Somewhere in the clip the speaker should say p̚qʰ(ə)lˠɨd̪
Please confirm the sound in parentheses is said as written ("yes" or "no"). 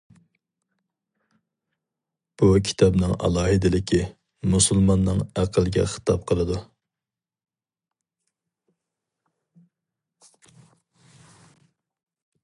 yes